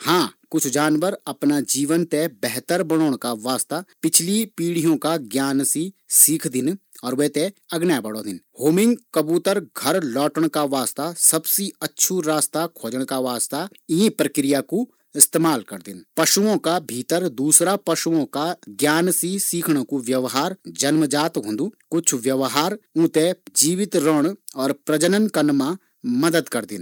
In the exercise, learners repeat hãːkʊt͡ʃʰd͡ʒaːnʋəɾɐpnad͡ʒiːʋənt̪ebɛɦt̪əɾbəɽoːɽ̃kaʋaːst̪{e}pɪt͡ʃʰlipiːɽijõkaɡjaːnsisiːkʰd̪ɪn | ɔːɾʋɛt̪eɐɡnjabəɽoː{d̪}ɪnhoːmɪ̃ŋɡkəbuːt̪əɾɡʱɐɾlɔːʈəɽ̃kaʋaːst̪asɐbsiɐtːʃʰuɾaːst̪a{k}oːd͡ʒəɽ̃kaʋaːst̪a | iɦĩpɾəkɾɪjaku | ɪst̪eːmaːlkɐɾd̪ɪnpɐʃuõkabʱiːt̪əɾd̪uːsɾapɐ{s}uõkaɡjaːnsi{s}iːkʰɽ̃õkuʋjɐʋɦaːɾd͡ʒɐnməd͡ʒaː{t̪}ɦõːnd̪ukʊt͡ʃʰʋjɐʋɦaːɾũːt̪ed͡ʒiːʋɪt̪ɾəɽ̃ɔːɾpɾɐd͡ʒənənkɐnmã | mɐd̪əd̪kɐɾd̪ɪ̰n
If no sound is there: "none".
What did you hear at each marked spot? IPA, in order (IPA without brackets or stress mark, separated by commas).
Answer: a, d̪, kʰ, ʃ, s, t̪